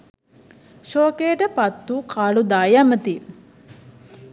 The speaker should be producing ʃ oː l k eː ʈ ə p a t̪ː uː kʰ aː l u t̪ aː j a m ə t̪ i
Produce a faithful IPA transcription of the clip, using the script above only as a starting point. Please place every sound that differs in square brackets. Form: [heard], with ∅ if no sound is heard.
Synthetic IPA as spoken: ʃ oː [∅] k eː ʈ ə p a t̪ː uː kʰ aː l u [d̪] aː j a m ə t̪ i